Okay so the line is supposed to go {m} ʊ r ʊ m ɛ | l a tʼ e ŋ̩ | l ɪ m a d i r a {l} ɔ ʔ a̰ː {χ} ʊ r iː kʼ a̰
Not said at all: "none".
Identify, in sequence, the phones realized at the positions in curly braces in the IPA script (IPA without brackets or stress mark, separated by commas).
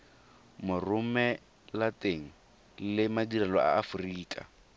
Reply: m, l, f